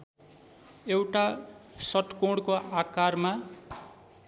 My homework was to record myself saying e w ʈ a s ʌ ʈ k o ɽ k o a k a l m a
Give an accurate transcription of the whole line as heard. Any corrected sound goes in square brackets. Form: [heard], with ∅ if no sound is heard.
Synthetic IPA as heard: e w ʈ a s ʌ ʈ k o ɽ k o a k a [r] m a